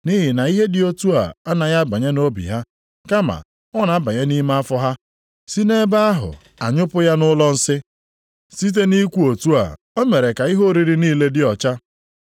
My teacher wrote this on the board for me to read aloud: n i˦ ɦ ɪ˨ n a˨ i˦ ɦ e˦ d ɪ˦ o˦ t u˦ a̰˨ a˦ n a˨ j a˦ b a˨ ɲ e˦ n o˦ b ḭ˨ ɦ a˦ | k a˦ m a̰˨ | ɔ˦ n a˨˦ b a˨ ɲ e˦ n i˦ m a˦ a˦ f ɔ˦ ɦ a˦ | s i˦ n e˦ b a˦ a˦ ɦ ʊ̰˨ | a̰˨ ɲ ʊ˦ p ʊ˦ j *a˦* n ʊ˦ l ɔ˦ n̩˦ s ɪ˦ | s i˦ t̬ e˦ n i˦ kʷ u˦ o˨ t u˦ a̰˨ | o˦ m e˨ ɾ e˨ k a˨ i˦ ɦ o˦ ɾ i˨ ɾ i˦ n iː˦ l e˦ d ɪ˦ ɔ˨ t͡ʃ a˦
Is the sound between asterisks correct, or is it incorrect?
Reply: correct